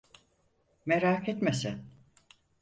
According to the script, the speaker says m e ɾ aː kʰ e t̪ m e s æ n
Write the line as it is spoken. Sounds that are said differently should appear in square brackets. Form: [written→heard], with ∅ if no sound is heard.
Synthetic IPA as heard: m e ɾ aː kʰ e t̪ m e s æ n